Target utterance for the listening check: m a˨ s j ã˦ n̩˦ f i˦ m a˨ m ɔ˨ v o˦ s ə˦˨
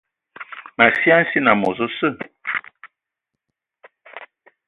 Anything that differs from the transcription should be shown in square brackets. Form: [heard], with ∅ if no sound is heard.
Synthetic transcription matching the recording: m a˨ s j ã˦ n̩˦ [s] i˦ [n] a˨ m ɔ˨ [z] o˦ s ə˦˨